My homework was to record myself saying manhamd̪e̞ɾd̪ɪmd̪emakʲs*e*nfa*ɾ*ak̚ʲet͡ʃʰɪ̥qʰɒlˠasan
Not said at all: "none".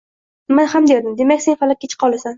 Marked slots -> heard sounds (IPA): e, l

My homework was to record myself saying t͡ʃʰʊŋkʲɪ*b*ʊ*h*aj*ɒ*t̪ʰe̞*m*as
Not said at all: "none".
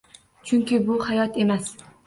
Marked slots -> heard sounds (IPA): b, h, ɒ, m

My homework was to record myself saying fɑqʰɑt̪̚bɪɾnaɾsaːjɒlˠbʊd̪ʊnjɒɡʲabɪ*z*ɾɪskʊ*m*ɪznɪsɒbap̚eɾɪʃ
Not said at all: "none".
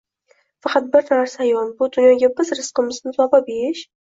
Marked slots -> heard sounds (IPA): z, m

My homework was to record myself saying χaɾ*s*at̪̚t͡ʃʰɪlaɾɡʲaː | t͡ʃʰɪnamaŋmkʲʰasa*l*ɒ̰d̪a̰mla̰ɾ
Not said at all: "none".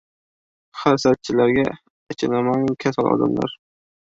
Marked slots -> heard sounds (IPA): s, l

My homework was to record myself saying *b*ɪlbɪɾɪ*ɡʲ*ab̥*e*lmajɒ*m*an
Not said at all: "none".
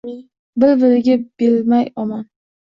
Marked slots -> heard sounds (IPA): b, ɡʲ, e, m

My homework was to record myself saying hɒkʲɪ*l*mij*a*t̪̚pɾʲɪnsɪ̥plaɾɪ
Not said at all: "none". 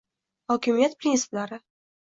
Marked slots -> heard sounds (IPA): none, a

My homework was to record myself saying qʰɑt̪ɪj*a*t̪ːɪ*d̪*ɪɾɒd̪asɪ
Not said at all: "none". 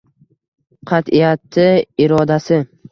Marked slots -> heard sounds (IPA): a, none

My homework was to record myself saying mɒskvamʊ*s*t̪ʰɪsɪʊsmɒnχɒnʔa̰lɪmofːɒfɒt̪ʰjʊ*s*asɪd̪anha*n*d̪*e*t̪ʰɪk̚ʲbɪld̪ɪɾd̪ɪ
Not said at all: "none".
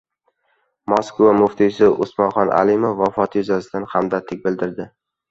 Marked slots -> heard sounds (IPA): f, z, m, a

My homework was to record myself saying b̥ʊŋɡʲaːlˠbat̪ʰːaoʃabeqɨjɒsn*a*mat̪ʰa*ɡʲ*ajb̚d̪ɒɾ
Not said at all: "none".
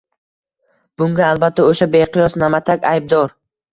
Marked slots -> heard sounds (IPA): a, kʲ

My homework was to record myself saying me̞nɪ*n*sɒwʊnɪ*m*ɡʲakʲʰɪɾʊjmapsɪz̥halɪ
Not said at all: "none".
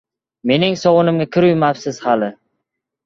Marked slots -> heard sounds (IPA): ŋ, m

